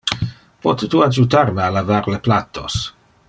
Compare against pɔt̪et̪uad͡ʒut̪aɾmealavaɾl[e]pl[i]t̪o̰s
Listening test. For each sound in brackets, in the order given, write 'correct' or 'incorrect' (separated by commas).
correct, incorrect